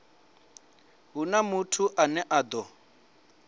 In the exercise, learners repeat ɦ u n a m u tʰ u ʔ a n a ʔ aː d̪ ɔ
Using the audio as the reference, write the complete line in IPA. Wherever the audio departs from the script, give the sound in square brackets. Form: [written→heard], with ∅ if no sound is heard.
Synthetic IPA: ɦ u n a m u tʰ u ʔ a n [a→ɛ] ʔ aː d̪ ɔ